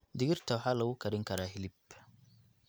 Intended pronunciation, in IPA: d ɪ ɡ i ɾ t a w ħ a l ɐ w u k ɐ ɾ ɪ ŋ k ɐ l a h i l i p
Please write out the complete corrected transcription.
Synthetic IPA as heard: d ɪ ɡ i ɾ t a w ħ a l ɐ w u k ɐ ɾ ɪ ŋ k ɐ ɾ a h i l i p